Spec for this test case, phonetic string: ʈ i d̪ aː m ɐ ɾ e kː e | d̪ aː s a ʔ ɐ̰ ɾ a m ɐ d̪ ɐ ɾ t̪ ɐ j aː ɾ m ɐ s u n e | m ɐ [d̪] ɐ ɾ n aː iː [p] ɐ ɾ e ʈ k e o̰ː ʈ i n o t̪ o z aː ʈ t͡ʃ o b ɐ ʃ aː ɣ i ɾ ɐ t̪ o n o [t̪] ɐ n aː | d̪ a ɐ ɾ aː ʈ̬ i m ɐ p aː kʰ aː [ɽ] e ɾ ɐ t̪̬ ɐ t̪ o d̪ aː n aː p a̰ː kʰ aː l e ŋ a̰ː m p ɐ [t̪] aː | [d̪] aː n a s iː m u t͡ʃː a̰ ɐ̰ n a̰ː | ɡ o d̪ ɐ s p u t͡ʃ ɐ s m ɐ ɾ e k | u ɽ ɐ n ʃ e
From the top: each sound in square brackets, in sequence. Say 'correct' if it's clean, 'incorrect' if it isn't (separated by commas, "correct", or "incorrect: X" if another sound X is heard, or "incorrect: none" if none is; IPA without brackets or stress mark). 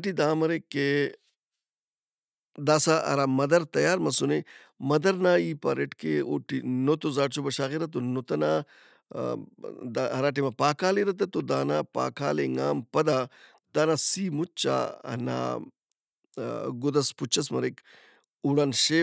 correct, correct, correct, incorrect: l, incorrect: d̪, correct